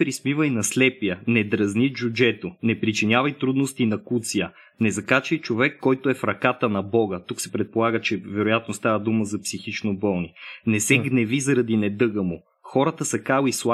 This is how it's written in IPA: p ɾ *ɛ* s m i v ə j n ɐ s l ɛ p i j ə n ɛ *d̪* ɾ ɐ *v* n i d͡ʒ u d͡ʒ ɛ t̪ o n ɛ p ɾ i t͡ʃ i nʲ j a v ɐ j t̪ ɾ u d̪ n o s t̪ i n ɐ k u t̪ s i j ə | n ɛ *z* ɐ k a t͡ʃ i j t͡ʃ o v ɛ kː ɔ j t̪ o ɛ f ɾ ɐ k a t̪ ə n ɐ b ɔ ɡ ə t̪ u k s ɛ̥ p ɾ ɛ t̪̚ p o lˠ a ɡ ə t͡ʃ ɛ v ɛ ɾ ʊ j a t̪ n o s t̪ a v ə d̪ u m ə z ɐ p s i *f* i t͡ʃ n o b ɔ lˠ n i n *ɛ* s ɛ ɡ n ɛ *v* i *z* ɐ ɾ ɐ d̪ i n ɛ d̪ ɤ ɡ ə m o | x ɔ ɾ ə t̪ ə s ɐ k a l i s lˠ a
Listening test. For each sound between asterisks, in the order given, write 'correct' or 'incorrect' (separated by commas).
incorrect, correct, incorrect, correct, incorrect, correct, correct, correct